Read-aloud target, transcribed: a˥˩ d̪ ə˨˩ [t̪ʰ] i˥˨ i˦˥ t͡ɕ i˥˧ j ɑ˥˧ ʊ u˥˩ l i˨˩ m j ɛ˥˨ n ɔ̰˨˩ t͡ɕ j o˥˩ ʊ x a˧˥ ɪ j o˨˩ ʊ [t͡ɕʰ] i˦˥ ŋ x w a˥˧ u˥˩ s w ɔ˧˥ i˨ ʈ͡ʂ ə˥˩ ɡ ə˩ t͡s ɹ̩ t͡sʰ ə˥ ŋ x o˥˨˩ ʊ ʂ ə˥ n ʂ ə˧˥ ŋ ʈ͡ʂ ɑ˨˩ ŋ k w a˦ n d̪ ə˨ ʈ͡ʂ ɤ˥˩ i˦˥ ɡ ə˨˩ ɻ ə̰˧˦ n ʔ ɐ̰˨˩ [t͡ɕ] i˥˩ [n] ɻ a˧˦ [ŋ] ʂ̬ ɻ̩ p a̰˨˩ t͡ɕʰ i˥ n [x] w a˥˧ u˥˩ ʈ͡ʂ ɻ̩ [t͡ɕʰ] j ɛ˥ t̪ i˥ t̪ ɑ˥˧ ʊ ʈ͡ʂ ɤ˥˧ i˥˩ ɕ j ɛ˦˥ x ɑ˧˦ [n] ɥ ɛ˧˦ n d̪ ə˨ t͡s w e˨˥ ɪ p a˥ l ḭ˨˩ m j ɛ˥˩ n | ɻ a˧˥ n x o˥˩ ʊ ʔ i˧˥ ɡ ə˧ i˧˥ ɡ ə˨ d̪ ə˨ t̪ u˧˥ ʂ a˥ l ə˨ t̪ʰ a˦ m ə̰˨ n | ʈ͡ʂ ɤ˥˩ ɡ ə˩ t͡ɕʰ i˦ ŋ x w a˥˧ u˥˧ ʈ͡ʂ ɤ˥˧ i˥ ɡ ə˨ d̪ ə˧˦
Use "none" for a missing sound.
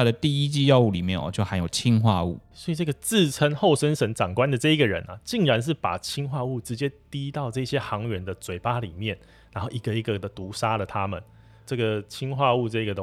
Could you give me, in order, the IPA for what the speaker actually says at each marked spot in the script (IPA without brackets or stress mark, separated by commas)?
t̪, t͡ɕʰ, t͡ɕ, ŋ, n, x, t͡ɕ, ŋ